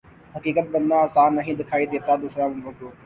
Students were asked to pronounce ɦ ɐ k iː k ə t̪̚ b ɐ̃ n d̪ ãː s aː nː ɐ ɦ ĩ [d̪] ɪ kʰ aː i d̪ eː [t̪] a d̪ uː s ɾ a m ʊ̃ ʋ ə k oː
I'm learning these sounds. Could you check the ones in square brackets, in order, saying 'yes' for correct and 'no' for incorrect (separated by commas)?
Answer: yes, yes